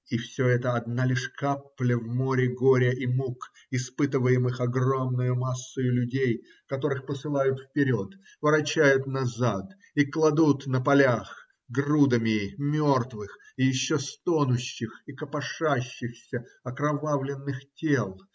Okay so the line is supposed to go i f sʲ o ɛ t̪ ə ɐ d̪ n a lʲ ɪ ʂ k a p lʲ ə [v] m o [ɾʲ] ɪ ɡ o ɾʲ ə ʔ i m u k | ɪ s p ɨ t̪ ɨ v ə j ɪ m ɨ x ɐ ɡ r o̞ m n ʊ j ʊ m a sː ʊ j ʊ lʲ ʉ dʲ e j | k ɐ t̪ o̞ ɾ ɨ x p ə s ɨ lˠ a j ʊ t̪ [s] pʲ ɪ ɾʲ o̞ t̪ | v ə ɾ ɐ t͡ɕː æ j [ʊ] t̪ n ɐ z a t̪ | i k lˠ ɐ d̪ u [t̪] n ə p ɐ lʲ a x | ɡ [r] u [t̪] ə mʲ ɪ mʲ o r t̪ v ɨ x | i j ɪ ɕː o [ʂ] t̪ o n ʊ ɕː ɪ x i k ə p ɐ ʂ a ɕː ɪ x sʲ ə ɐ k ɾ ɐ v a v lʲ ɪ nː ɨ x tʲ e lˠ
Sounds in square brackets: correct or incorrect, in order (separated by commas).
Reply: correct, correct, incorrect, correct, correct, correct, incorrect, incorrect